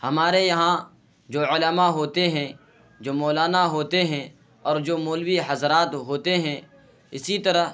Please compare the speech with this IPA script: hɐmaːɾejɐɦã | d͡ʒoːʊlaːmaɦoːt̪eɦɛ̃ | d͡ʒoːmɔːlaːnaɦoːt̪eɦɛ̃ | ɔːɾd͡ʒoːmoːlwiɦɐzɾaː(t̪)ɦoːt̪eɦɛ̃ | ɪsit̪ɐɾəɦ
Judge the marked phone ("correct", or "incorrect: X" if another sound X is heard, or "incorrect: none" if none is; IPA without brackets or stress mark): correct